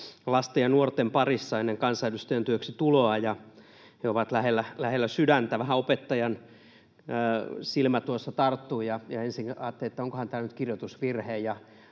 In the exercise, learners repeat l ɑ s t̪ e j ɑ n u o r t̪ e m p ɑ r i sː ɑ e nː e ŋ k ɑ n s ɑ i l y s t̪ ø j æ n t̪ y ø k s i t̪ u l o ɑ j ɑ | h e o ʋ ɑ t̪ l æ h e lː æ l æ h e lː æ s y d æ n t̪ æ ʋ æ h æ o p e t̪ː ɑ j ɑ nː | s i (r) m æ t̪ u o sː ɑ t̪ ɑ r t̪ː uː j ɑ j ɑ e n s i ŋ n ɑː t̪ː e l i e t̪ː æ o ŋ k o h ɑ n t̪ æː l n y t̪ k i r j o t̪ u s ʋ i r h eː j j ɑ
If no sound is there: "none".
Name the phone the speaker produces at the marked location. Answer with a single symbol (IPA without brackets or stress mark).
l